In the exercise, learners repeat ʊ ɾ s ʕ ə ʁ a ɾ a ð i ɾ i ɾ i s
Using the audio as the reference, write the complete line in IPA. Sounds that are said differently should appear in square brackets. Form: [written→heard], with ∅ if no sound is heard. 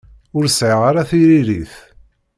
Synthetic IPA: ʊ ɾ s ʕ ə ʁ a ɾ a [ð→θ] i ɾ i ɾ i [s→θ]